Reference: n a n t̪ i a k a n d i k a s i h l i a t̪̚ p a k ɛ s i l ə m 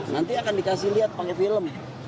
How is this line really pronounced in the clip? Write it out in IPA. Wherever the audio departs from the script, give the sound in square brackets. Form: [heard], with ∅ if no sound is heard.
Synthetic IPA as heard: n a n t̪ i a k a n d i k a s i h l i a t̪̚ p a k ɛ [f] i l ə m

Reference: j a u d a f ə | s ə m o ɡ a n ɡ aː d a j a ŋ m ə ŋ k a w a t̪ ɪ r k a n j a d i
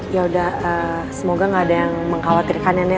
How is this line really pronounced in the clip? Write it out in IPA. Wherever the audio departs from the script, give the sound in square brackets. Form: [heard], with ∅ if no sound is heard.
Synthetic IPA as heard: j a u d a [h] ə | s ə m o ɡ a [ŋ] ɡ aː d a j a ŋ m ə ŋ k a w a t̪ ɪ r k a n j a [n] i

